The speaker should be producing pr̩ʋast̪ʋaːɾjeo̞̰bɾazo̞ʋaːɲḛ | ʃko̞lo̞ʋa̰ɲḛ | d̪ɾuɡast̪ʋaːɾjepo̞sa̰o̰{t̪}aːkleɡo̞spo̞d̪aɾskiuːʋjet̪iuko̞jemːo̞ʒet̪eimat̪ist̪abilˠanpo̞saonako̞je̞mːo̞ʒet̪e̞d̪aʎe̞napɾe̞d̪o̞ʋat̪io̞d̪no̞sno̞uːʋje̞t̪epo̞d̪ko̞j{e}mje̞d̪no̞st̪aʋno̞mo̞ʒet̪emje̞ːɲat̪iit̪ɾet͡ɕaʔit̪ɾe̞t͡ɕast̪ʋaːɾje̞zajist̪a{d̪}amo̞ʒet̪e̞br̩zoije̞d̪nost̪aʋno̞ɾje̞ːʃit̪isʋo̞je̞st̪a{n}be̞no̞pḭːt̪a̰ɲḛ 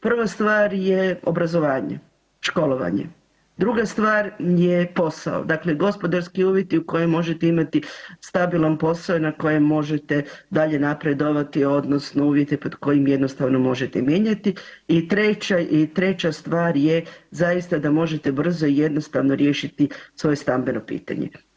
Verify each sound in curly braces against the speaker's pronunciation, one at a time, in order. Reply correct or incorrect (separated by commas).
incorrect, incorrect, correct, incorrect